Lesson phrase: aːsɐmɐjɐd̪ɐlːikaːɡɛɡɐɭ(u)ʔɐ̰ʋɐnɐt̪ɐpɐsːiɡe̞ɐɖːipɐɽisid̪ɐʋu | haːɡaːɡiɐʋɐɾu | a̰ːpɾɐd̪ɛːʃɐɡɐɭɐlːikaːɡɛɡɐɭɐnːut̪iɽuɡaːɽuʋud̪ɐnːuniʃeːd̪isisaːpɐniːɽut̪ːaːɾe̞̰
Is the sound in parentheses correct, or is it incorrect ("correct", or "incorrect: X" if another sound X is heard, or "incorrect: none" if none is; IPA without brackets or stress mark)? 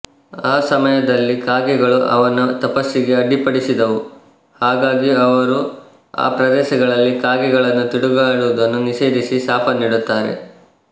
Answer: correct